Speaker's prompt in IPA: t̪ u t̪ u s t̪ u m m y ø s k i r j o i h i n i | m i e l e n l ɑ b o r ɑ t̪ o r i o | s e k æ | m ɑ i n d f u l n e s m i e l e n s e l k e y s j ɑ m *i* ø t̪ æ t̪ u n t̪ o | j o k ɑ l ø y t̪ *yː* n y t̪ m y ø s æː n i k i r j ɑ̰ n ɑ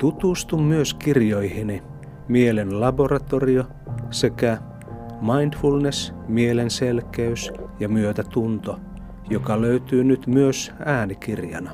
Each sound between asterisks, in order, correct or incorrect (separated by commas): incorrect, correct